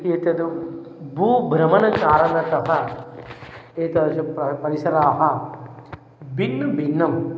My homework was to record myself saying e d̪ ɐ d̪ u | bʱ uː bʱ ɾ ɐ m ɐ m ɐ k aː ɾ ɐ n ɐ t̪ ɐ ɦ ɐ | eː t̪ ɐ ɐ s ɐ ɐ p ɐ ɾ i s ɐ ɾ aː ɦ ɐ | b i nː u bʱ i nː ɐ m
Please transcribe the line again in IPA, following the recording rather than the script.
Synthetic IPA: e t̪ ɐ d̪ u | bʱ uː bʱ ɾ ɐ m ɐ n ɐ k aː ɾ ɐ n ɐ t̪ ɐ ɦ ɐ | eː t̪ ɐ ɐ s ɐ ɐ p ɐ ɾ i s ɐ ɾ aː ɦ ɐ | b i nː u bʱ i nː ɐ m